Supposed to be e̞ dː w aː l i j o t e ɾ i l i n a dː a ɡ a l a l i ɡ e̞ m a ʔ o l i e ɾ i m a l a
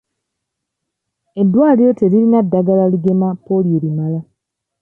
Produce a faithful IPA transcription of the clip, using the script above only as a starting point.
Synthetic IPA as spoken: e̞ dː w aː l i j o t e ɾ i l i n a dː a ɡ a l a l i ɡ e̞ m a p o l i e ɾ i m a l a

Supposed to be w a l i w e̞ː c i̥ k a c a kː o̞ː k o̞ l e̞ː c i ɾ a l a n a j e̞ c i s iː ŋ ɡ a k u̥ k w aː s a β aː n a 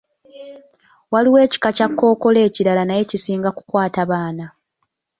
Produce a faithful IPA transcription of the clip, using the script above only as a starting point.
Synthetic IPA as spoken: w a l i w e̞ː c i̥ k a c a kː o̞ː k o̞ l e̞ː c i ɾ a l a n a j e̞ c i s iː ŋ ɡ a k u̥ k w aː t a β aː n a

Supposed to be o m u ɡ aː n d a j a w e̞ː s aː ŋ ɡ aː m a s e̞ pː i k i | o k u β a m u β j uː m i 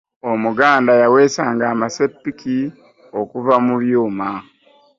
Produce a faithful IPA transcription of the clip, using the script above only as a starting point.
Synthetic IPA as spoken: o m u ɡ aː n d a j a w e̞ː s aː ŋ ɡ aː m a s e̞ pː i k i | o k u v a m u β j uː m a

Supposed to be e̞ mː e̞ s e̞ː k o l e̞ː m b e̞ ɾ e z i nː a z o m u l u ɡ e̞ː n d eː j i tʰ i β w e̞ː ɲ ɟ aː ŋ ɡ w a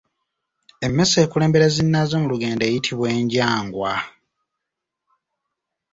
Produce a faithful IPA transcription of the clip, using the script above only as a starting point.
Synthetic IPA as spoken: e̞ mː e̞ s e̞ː k u l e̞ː m b e̞ ɾ e z i nː a z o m u l u ɡ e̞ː n d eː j i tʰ i β w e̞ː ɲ ɟ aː ŋ ɡ w a

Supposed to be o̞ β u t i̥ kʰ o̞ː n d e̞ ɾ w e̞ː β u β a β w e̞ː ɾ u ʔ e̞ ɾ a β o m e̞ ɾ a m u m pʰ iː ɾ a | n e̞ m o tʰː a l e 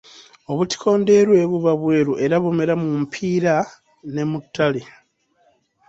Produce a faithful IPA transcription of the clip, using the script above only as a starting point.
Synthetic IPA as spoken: o̞ β u t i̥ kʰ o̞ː n d e̞ ɾ w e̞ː β u β a β w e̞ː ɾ u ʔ e̞ ɾ a β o m e̞ ɾ a m u m pʰ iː ɾ a | n e̞ m u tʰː a l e

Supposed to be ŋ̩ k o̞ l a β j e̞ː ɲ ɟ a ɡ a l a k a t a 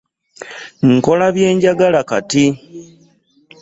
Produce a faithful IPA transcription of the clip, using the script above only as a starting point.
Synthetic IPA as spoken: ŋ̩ k o̞ l a β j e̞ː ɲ ɟ a ɡ a l a k a t i

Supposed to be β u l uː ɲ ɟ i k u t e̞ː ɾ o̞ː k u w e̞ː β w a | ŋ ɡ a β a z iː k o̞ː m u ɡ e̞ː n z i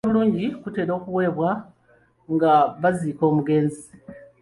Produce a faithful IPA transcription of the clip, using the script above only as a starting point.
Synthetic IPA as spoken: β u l uː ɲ ɟ i k u t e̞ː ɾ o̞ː k u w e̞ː β w a | ŋ ɡ a β a z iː k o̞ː m u ɡ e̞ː n z i

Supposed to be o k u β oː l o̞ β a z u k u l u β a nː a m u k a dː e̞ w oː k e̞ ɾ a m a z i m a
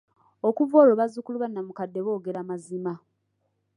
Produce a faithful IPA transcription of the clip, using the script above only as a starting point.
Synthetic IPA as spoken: o k u v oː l o̞ β a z u k u l u β a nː a m u k a dː e̞ β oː ɡ e̞ ɾ a m a z i m a

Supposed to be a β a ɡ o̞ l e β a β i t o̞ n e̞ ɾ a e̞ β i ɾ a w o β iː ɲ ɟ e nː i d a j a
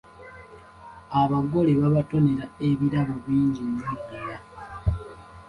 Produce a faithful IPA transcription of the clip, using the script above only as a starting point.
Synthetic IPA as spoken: a β a ɡ o̞ l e β a β a t o̞ n e̞ ɾ a e̞ β i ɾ a β o β iː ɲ ɟ i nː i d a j a

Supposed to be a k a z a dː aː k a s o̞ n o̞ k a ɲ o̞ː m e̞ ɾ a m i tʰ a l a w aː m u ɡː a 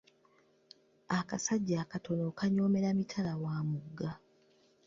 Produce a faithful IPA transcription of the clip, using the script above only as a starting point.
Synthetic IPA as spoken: a k a s a ɟː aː k a t o̞ n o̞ k a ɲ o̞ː m e̞ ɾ a m i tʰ a l a w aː m u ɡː a

